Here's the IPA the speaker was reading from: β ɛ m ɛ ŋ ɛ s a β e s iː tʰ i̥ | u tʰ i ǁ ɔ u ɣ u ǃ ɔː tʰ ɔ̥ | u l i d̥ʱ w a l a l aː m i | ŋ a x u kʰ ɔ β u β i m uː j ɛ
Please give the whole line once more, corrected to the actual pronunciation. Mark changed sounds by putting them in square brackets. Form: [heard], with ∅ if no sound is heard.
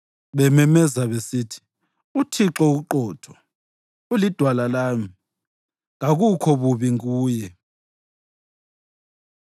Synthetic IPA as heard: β ɛ m ɛ [m] ɛ [z] a β e s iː tʰ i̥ | u tʰ i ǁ ɔ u ɣ u ǃ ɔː tʰ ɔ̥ | u l i d̥ʱ w a l a l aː m i | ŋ a [ɣ] u kʰ ɔ β u β i [ŋ] uː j ɛ